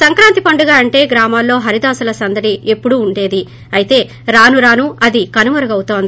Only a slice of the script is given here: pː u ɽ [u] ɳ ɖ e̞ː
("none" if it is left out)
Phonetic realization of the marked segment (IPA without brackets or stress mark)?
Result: uː